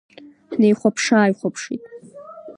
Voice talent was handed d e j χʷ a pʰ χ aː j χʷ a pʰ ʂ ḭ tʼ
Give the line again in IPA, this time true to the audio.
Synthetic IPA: n e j χʷ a pʰ ʂ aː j χʷ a pʰ ʂ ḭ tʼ

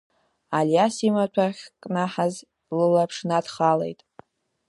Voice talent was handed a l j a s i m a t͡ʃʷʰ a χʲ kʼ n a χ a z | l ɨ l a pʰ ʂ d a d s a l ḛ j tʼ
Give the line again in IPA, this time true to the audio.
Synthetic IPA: a l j a s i m a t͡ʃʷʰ a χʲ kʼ n a ħ a z | l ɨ l a pʰ ʂ n a d χ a l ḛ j tʼ

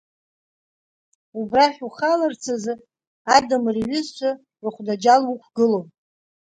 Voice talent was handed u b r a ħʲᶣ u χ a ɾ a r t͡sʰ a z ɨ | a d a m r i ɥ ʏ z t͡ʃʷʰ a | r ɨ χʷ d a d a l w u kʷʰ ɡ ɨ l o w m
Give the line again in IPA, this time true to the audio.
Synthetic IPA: u b r a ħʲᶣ u χ a l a r t͡sʰ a z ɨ | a d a m r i ɥ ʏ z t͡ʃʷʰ a | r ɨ χʷ d a d͡ʒ a l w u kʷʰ ɡ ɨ l o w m

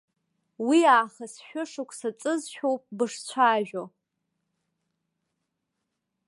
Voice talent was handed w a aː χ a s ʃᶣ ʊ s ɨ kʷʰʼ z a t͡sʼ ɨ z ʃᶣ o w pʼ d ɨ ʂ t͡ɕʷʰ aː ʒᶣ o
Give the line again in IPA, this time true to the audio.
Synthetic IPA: w i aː χ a s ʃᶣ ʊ ʂ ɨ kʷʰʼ s a t͡sʼ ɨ z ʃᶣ o w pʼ b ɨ ʂ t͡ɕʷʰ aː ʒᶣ o

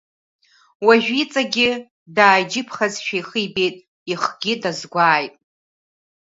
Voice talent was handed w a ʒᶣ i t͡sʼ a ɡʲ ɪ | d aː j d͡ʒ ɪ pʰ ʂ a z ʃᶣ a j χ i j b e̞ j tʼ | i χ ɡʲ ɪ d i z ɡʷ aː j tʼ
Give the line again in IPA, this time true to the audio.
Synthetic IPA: w a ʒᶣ i t͡sʼ a ɡʲ ɪ | d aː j d͡ʒ ɪ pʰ χ a z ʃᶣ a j χ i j b e̞ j tʼ | i χ ɡʲ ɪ d a z ɡʷ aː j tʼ

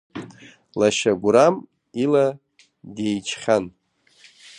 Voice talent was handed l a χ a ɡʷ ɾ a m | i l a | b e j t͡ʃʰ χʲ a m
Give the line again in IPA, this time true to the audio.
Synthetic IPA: l a ʃ a ɡʷ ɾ a m | i l a | d e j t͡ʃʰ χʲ a n

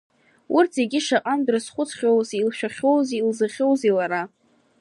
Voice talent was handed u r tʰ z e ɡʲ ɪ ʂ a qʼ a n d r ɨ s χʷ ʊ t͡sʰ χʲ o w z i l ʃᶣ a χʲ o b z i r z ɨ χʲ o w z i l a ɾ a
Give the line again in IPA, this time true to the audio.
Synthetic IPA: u r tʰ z e ɡʲ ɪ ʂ a qʼ a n d r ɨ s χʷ ʊ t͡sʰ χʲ o w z i l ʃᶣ a χʲ o w z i l z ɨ χʲ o w z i l a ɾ a

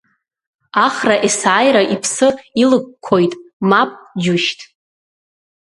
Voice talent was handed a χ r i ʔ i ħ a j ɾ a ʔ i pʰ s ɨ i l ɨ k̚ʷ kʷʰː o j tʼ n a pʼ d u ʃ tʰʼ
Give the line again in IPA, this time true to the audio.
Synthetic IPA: a χ r a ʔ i s a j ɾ a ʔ i pʰ s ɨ i l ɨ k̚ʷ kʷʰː o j tʼ m a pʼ d͡ʒ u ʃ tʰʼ

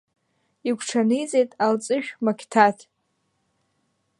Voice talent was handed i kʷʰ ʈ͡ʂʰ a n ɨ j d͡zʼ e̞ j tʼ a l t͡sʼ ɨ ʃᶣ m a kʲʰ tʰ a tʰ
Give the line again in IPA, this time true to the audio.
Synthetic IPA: i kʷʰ ʈ͡ʂʰ a n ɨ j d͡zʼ e̞ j tʼ a l t͡sʼ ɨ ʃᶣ m a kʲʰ tʰ a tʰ

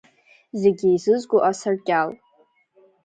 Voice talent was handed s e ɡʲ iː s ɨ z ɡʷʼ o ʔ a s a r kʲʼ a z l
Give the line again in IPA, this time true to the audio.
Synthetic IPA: z e ɡʲ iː z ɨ z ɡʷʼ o ʔ a s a r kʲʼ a l

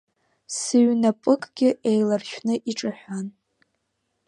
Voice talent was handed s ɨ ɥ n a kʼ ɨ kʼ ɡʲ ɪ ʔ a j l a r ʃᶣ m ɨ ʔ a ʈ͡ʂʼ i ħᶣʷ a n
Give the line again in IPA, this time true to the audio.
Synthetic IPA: s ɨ ɥ n a pʼ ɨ kʼ ɡʲ ɪ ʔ e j l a r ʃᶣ n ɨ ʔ i ʈ͡ʂʼ a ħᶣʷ a n

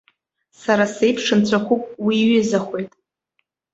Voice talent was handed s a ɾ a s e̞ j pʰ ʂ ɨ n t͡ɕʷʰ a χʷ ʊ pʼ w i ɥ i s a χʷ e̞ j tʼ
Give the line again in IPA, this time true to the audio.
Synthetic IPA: s a ɾ a s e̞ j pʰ ʂ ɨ n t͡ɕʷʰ a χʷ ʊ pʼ w i ɥ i z a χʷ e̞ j tʼ

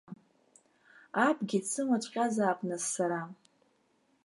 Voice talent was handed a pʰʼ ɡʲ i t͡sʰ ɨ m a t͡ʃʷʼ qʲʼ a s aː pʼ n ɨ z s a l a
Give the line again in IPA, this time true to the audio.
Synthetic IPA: a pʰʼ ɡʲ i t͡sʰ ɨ m a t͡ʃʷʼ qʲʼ a z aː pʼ n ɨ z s a ɾ a

